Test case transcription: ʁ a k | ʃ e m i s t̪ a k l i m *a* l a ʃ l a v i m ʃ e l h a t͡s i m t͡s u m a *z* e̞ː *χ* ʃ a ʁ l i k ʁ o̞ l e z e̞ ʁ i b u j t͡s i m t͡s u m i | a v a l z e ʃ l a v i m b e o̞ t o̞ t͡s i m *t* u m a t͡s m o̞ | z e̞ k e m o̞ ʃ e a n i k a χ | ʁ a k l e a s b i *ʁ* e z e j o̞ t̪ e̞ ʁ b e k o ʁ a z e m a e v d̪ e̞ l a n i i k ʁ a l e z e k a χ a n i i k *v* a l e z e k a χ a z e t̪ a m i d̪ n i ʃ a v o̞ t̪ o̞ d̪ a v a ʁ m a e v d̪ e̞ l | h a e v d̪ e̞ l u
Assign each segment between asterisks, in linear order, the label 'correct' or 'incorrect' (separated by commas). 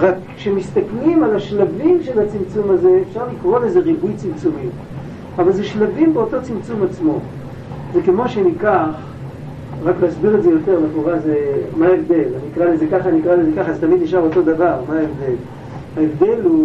correct, correct, incorrect, incorrect, correct, incorrect